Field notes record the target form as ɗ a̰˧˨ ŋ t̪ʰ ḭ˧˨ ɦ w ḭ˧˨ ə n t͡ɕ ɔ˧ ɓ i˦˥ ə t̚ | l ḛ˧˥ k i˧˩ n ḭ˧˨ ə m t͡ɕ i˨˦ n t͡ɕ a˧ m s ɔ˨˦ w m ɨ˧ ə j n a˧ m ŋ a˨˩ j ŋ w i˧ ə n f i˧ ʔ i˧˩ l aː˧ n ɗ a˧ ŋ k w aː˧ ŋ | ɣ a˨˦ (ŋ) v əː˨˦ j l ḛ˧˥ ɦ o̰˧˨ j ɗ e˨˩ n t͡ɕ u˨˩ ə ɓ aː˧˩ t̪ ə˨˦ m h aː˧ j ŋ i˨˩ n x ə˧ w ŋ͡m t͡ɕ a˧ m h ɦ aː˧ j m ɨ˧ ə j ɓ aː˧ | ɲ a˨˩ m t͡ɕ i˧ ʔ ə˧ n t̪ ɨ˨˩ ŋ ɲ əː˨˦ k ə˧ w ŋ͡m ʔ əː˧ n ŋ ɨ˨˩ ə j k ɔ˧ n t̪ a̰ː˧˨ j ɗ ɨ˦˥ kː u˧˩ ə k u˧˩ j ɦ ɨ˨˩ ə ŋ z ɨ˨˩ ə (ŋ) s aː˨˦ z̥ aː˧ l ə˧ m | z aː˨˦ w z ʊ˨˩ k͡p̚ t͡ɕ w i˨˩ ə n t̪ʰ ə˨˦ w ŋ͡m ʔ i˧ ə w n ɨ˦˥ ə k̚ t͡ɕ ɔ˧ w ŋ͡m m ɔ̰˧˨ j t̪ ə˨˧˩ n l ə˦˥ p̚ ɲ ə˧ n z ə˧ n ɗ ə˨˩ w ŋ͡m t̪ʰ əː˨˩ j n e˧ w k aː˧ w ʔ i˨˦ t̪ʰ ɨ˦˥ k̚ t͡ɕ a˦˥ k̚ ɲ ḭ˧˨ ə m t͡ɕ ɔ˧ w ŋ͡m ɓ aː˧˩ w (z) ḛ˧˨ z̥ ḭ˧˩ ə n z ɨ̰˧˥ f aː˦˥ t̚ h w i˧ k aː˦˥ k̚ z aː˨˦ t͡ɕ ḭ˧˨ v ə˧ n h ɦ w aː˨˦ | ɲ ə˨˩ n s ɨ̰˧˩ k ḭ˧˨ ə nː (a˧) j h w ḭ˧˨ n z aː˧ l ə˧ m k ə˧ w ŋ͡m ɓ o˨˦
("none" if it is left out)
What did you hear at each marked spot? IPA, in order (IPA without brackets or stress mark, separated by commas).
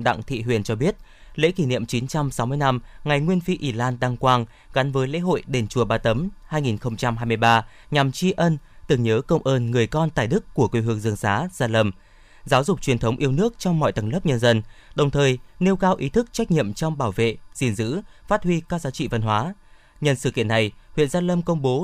n, ŋ, v, a˨˩